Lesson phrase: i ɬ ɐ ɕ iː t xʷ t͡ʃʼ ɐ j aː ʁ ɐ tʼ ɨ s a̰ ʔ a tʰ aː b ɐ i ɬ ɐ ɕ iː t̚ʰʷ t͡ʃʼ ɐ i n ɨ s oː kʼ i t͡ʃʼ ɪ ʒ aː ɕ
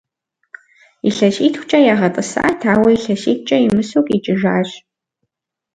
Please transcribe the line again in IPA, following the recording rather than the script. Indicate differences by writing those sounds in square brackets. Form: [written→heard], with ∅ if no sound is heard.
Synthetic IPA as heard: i ɬ ɐ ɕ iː t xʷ t͡ʃʼ ɐ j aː ʁ ɐ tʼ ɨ s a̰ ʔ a tʰ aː [b→w] ɐ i ɬ ɐ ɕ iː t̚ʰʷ t͡ʃʼ ɐ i [n→m] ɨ s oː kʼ i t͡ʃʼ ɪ ʒ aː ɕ